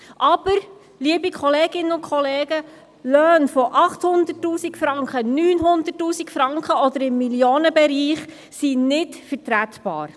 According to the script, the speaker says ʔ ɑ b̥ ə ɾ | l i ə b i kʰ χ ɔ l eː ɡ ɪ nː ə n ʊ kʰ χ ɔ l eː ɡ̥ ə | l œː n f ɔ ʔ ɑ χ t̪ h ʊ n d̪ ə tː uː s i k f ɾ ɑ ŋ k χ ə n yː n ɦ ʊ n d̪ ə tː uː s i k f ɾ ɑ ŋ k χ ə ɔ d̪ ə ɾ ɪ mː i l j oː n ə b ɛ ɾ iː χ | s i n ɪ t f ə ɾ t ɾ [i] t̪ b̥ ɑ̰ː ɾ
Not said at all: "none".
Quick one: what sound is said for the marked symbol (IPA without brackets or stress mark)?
æ